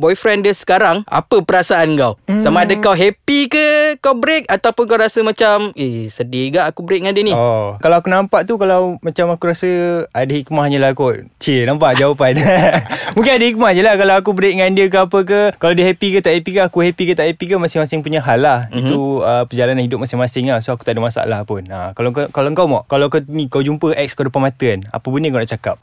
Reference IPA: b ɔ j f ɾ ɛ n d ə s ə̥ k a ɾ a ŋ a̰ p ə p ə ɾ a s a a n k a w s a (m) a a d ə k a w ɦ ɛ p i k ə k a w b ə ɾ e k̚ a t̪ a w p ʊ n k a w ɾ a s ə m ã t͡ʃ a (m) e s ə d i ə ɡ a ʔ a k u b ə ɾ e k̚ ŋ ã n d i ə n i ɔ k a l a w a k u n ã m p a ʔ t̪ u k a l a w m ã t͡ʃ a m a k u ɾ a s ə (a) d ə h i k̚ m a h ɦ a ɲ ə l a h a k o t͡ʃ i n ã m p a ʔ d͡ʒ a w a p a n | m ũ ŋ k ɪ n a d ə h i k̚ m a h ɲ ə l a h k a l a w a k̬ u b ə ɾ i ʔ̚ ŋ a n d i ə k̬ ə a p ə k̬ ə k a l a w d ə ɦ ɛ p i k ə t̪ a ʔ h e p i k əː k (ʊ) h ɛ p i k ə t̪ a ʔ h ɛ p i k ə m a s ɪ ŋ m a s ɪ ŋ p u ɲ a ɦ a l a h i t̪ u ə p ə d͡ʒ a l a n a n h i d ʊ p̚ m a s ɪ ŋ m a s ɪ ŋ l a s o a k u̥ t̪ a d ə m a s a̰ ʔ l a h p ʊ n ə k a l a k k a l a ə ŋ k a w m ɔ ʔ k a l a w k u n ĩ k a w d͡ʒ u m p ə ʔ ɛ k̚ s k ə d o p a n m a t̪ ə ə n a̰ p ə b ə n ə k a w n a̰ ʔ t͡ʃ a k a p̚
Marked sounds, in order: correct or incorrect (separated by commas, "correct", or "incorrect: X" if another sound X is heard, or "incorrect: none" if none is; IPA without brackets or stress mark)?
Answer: correct, correct, correct, incorrect: u